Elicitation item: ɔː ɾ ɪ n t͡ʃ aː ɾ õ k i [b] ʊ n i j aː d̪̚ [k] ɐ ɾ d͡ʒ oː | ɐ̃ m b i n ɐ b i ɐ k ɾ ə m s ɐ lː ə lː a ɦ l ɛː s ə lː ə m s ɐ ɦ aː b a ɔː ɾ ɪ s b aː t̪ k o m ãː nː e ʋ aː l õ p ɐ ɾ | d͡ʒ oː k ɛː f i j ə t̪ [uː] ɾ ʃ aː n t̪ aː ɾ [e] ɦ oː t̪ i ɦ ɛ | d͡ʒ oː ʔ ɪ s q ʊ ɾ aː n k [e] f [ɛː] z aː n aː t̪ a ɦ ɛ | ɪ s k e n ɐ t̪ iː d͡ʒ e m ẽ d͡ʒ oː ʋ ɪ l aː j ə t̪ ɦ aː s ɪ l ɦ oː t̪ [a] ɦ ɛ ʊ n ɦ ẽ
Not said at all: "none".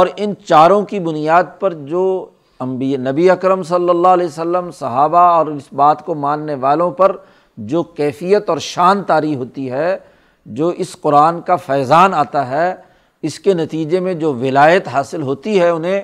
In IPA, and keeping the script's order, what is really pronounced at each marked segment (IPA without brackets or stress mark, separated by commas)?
b, p, ɔː, i, a, ɛː, i